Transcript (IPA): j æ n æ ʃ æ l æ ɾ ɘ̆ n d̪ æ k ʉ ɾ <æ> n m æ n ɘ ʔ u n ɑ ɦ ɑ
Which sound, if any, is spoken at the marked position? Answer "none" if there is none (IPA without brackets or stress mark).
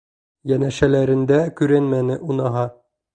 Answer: æ